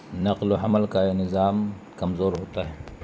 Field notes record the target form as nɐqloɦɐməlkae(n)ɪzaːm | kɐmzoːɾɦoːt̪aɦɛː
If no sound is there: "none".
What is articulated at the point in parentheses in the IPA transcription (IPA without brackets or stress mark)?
n